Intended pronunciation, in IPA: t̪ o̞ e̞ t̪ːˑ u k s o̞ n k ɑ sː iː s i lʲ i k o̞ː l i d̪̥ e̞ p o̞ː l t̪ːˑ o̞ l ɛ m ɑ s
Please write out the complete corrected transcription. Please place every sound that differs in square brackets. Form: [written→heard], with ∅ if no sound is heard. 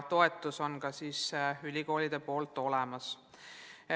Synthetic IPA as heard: t̪ o̞ e̞ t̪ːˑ u [k→∅] s o̞ n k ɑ [sː→s] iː s [i→y] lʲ i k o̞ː l i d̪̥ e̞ p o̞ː l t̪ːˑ o̞ l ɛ m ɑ s